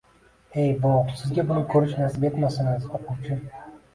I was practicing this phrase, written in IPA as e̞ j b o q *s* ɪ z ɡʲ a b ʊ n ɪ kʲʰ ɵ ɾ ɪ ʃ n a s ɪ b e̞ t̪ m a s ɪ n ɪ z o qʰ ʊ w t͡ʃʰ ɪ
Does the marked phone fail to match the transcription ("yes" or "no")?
no